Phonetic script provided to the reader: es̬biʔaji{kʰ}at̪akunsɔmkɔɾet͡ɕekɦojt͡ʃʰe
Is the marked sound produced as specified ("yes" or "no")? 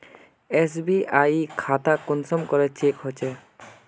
yes